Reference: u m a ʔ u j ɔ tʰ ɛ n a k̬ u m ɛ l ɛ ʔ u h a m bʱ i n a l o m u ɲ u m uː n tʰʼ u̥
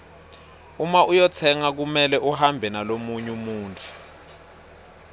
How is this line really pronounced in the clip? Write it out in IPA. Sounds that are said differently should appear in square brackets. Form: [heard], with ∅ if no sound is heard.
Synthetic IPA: u m a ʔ u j ɔ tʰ ɛ [ŋ] a k̬ u m ɛ l ɛ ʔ u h a m bʱ [ɛ] n a l o m u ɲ u m uː n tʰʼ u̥